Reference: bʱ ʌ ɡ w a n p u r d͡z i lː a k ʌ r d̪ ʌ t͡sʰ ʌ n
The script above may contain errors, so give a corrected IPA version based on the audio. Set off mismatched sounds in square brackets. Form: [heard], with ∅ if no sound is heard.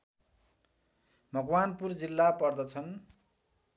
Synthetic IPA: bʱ ʌ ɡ w a n p u r d͡z i lː a [p] ʌ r d̪ ʌ t͡sʰ ʌ n